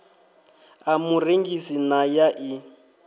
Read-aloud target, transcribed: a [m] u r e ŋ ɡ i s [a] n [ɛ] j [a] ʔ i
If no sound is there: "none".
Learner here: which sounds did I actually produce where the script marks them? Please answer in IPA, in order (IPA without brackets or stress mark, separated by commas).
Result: m, i, a, a